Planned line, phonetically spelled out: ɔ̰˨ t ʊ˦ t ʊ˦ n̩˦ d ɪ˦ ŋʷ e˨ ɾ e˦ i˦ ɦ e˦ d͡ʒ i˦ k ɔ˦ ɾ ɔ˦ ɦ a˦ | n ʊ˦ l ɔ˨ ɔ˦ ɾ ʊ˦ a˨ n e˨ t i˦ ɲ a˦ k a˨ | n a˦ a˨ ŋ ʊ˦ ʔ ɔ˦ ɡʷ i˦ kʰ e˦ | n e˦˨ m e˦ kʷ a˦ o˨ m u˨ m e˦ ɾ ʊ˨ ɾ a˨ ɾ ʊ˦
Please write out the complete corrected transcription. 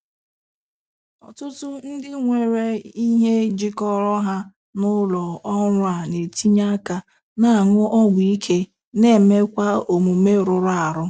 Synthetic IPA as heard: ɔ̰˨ t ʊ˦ t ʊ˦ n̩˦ d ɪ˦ ŋʷ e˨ ɾ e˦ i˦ ɦ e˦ d͡ʒ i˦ k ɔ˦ ɾ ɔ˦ ɦ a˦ | n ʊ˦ l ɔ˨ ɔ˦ ɾ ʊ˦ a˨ n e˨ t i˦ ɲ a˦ k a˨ | n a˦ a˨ ŋ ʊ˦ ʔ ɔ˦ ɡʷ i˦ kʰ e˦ | n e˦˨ m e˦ kʷ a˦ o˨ m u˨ m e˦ ɾ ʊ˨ ɾ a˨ ɾ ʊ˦